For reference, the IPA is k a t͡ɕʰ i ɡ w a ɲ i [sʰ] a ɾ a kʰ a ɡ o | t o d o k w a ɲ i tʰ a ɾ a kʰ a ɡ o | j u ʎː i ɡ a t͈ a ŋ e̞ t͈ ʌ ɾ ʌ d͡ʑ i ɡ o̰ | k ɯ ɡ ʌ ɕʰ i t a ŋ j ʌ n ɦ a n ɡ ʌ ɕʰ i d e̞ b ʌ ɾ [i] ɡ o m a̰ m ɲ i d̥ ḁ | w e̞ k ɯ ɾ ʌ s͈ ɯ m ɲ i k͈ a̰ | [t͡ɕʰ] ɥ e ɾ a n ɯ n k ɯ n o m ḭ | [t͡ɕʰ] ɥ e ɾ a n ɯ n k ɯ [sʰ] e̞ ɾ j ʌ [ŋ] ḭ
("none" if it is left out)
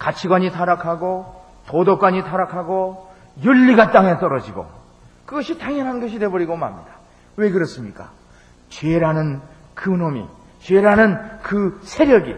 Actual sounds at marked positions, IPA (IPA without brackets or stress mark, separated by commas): tʰ, i, t͡ɕ, t͡ɕ, sʰ, ɡ